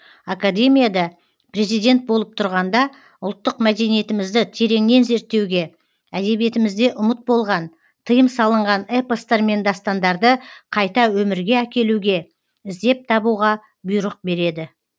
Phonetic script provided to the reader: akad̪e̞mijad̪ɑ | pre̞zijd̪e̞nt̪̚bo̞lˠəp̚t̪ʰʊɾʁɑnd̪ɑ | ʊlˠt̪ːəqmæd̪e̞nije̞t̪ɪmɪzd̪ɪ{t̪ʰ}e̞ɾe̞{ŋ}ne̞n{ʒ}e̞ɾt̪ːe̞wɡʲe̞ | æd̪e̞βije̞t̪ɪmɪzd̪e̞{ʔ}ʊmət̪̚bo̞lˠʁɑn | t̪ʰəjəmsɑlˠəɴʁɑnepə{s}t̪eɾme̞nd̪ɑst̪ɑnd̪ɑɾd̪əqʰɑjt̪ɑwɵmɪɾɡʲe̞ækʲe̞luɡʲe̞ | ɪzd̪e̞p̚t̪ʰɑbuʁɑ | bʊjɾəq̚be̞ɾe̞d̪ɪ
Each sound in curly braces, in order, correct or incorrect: correct, correct, incorrect: z, correct, correct

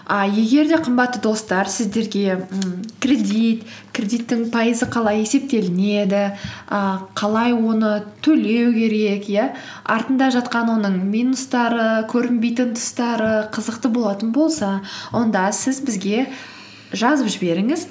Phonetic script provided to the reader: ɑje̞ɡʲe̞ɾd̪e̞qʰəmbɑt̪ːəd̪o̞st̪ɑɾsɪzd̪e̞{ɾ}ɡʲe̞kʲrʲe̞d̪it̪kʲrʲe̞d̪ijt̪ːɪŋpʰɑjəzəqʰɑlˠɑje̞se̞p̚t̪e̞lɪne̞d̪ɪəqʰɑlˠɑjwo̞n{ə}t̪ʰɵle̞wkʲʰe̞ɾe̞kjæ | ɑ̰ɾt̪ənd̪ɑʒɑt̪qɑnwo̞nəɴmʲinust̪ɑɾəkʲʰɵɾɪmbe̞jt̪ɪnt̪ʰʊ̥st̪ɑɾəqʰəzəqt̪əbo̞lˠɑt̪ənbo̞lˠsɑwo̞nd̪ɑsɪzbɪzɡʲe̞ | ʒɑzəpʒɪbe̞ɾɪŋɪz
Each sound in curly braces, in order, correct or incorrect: correct, correct

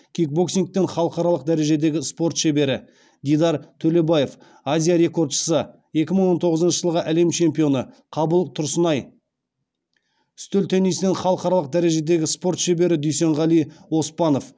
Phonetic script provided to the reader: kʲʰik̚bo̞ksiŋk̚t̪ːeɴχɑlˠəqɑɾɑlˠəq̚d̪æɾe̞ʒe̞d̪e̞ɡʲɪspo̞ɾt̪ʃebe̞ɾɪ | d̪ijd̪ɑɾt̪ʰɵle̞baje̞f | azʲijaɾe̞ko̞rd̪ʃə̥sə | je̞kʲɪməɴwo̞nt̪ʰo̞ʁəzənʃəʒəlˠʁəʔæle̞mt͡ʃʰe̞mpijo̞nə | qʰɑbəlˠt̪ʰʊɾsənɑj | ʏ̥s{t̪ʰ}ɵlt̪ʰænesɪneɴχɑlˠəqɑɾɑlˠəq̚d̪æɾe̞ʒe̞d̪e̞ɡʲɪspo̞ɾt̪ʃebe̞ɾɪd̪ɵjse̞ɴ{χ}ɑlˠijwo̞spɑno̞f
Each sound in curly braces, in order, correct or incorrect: incorrect: t̪, incorrect: ʁ

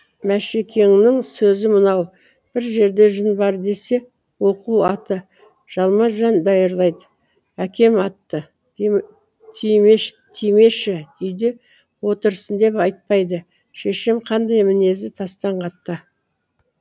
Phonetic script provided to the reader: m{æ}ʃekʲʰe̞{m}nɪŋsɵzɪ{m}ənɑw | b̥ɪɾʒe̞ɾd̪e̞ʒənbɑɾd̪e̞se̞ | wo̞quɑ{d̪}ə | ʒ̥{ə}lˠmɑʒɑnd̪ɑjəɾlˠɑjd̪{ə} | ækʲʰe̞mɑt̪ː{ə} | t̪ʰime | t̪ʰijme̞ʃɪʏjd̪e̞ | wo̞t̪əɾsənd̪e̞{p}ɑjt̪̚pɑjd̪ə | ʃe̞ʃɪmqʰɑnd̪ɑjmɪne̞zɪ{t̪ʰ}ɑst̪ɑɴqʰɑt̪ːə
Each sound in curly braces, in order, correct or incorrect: correct, incorrect: ŋ, correct, incorrect: t̪, incorrect: ɑ, correct, correct, correct, correct

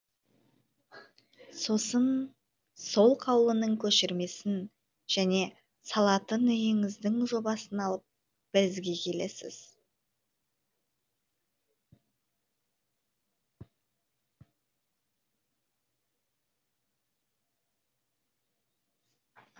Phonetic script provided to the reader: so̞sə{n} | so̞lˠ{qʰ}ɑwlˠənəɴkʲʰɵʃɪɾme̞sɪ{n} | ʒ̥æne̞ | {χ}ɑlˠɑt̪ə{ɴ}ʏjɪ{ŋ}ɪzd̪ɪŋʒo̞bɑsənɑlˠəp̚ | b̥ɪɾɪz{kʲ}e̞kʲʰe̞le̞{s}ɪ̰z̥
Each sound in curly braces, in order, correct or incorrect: correct, correct, correct, incorrect: s, incorrect: n, correct, incorrect: ɡʲ, correct

